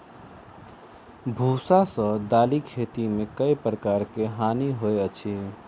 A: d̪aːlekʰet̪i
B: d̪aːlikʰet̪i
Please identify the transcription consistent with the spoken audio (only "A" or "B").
B